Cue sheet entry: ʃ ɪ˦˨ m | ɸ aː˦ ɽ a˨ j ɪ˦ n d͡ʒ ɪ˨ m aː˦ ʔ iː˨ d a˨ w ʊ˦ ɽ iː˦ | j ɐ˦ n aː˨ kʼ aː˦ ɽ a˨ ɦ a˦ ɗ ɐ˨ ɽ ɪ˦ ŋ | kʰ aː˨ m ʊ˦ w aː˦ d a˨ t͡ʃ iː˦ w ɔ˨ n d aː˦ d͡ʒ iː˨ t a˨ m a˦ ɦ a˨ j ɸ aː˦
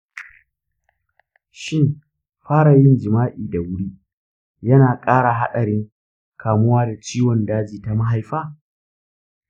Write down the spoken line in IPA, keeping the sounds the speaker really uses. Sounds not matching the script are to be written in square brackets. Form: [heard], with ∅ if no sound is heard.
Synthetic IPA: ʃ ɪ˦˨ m | ɸ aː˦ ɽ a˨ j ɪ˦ n d͡ʒ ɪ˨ m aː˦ ʔ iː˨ d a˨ w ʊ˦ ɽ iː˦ | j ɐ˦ n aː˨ kʼ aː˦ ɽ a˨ ɦ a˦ ɗ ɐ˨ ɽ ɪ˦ ŋ | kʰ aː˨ m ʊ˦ w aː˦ d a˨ t͡ʃ iː˦ w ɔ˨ n d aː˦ d͡ʒ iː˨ t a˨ m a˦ ɦ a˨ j ɸ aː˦

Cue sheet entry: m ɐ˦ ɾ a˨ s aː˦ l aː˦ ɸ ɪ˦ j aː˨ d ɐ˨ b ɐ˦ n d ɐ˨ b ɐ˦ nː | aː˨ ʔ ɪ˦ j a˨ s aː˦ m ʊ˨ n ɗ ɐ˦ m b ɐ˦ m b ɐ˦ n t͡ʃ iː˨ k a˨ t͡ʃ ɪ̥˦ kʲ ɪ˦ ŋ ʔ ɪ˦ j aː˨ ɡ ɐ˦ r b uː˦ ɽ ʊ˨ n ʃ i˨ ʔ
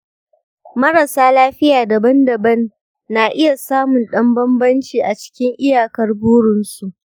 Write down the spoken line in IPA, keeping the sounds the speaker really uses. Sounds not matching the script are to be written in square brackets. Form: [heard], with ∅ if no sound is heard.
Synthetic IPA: m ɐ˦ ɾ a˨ s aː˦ l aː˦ ɸ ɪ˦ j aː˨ d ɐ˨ b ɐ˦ n d ɐ˨ b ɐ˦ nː | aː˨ ʔ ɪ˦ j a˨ s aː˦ m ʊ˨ n ɗ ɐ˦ m b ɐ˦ m b ɐ˦ n t͡ʃ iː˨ [ʔ] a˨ t͡ʃ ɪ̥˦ kʲ ɪ˦ ŋ ʔ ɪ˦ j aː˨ [k] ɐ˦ r b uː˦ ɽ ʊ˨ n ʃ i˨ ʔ

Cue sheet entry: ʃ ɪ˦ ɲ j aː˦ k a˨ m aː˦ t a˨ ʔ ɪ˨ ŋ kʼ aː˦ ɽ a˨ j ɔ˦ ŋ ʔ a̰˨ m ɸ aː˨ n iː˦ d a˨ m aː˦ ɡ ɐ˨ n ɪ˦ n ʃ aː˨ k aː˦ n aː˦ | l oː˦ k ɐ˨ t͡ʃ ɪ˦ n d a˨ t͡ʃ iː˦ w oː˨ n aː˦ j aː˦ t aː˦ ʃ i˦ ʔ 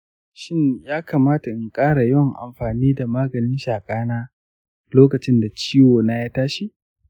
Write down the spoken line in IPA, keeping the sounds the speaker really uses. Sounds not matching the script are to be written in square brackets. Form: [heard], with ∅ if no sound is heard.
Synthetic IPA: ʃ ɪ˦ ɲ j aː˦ k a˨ m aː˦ t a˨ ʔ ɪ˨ ŋ kʼ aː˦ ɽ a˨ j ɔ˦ ŋ ʔ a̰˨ m ɸ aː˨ n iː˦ d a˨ m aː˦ ɡ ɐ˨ n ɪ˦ n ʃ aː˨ [kʼ] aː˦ n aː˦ | l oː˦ k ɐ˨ t͡ʃ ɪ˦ n d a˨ t͡ʃ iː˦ w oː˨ n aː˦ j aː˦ t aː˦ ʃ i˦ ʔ

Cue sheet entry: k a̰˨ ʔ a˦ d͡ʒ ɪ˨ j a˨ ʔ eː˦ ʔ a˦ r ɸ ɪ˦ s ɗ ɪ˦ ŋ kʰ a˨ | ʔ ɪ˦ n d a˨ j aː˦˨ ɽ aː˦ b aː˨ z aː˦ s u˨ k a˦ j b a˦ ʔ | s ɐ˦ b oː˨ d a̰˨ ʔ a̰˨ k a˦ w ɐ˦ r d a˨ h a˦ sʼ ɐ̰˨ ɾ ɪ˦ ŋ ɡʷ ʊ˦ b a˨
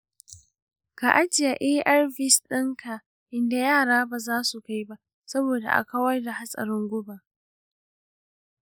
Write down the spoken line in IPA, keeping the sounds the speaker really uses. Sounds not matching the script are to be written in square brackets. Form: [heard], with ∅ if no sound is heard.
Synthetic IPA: k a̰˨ ʔ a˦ d͡ʒ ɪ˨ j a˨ ʔ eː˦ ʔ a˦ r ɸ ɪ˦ s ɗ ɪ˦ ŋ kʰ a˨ | ʔ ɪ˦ n d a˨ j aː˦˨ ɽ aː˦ b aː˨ z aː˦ s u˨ k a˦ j b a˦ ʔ | s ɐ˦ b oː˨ d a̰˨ ʔ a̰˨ k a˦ w ɐ˦ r d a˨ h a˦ sʼ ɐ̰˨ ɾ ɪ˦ ŋ ɡʷ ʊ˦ b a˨

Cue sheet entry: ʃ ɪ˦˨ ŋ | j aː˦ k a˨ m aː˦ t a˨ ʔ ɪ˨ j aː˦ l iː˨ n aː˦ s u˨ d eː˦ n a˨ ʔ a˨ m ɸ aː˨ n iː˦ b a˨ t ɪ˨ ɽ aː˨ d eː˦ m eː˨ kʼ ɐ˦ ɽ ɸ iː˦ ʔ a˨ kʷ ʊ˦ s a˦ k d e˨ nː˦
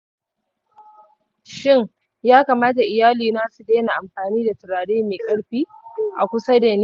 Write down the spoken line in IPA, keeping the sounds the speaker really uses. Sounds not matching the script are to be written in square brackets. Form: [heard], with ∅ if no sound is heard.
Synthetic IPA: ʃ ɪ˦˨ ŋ | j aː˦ k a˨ m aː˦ t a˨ ʔ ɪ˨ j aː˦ l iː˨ n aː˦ s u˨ d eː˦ n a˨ ʔ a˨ m ɸ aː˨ n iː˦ [d] a˨ t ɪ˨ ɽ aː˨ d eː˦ m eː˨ kʼ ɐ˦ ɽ ɸ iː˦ ʔ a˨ kʷ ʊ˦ s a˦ [∅] d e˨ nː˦

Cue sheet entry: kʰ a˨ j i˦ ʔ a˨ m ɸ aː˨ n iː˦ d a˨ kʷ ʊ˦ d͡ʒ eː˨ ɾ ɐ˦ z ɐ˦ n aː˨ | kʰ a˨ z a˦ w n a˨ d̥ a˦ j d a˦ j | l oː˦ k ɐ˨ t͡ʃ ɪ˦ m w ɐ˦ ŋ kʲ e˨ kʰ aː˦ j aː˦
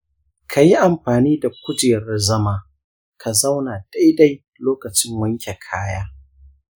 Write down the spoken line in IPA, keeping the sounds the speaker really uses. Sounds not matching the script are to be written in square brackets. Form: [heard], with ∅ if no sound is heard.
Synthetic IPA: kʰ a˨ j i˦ ʔ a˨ m ɸ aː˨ n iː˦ d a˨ kʷ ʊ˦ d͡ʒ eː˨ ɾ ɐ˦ z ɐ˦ [m] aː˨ | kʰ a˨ z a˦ w n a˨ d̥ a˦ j d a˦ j | l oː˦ k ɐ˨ t͡ʃ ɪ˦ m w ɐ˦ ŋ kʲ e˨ kʰ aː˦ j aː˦

